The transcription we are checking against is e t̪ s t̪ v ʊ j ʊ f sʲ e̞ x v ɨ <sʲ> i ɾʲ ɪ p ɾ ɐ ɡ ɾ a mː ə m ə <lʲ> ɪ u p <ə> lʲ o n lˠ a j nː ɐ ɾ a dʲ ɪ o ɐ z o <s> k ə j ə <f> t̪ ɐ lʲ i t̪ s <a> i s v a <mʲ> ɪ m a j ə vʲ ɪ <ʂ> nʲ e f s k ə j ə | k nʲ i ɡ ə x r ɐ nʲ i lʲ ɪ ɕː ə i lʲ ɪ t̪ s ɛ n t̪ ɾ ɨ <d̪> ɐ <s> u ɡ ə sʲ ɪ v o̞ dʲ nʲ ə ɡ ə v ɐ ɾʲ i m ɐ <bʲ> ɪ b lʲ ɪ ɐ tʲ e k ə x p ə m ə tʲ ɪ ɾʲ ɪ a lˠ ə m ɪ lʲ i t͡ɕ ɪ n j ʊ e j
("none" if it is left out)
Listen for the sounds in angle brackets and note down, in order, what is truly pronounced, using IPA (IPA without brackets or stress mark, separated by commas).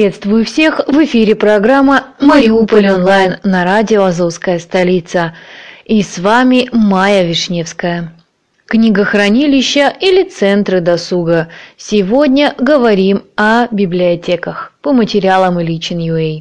fʲ, ɾʲ, ə, s, s, ə, mʲ, ʂ, d̪, s, bʲ